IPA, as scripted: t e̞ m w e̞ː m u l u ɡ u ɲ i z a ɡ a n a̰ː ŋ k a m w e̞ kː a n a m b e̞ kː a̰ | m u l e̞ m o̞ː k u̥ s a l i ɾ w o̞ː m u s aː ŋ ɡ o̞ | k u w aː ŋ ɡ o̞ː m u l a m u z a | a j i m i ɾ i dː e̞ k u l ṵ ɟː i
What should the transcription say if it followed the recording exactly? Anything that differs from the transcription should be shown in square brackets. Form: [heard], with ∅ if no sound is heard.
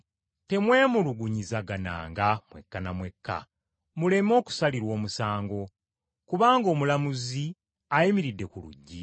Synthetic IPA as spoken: t e̞ m w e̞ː m u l u ɡ u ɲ i z a ɡ a n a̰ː ŋ [ɡ] a m w e̞ kː a n a m [w] e̞ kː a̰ | m u l e̞ m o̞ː k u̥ s a l i ɾ w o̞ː m u s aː ŋ ɡ o̞ | k u [β] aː ŋ ɡ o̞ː m u l a m u z [i] | a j i m i ɾ i dː e̞ k u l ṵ ɟː i